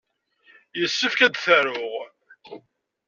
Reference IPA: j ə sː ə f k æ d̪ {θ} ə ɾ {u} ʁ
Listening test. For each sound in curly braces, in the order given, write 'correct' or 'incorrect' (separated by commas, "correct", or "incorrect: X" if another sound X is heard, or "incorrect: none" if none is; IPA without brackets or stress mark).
correct, incorrect: ʊ